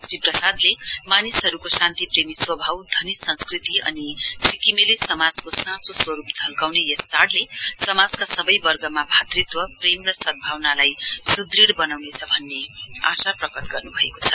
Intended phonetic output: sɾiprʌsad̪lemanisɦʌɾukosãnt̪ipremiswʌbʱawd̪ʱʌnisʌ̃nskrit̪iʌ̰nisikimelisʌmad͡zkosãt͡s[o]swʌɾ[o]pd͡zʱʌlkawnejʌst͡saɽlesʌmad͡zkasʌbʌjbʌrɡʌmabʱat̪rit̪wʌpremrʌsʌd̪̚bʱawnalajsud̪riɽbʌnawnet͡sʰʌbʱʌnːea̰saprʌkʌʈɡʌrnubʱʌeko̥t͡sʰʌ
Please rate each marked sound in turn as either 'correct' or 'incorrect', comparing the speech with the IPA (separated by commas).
correct, incorrect